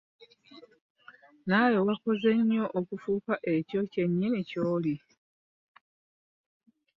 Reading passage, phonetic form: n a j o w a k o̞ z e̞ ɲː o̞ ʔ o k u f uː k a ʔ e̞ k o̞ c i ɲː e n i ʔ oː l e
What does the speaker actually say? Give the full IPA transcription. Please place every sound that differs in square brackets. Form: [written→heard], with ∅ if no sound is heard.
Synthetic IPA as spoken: n a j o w a k o̞ z e̞ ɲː o̞ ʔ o k u f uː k a ʔ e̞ [k→c] o̞ c [i→e] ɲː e n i [ʔ→c] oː l [e→i]